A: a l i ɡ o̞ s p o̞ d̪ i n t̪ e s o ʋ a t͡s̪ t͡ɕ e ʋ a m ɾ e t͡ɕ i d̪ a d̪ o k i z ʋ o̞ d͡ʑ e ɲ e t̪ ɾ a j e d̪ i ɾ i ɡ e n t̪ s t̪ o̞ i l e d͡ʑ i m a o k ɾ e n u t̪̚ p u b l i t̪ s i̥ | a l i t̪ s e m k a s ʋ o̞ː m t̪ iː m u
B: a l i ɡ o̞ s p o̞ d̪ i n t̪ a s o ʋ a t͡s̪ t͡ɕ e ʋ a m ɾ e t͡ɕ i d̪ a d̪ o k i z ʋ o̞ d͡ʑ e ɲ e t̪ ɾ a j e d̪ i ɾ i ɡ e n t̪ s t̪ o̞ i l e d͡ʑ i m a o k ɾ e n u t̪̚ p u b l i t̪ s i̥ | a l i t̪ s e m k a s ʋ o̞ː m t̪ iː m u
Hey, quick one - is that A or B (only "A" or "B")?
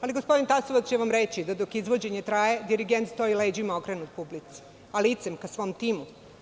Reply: B